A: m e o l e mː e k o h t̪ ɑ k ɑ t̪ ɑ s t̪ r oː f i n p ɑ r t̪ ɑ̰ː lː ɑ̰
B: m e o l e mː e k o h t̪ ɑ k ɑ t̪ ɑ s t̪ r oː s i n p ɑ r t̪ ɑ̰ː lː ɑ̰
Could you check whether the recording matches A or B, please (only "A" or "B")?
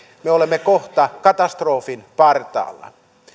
A